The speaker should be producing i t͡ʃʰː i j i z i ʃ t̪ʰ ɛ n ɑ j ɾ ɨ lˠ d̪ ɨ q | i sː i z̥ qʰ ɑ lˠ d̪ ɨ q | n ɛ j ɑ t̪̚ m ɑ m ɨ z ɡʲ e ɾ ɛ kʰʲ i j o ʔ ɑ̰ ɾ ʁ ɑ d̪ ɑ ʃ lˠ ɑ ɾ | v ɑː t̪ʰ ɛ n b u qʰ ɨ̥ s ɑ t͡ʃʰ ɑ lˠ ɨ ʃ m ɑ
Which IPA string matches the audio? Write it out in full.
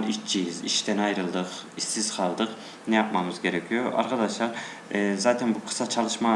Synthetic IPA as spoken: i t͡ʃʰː i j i z i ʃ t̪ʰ ɛ n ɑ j ɾ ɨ lˠ d̪ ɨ q | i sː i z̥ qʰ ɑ lˠ d̪ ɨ q | n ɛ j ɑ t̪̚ m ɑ m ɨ z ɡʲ e ɾ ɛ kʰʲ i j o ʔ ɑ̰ ɾ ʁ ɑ d̪ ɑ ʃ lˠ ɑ ɾ | z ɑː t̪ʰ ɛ n b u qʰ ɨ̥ s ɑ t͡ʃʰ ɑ lˠ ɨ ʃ m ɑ